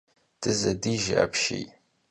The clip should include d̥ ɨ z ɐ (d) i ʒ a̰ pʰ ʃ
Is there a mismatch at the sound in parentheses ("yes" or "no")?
no